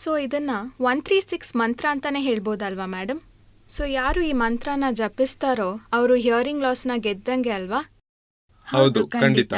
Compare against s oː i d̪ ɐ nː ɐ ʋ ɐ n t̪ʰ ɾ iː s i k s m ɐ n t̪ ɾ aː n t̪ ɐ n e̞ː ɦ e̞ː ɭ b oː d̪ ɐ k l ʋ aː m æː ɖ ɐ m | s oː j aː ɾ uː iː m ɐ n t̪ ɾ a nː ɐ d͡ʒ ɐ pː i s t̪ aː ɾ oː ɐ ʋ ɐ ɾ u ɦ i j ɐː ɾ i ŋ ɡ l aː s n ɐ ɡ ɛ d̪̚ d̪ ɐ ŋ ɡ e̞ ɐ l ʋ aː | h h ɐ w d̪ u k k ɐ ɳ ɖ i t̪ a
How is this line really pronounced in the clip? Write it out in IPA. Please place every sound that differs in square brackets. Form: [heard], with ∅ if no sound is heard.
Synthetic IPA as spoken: s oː i d̪ ɐ nː ɐ ʋ ɐ n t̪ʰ ɾ iː s i k s m ɐ n t̪ ɾ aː n t̪ ɐ n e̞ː ɦ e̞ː ɭ b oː d̪ ɐ [∅] l ʋ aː m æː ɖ ɐ m | s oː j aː ɾ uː iː m ɐ n t̪ ɾ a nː ɐ d͡ʒ ɐ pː i s t̪ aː ɾ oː ɐ ʋ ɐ ɾ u ɦ i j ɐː ɾ i ŋ ɡ l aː s n ɐ ɡ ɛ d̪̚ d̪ ɐ ŋ ɡ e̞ ɐ l ʋ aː | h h ɐ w d̪ u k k ɐ ɳ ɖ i t̪ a